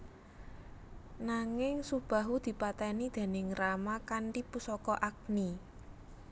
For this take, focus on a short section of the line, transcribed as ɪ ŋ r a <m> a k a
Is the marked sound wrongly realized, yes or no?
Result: no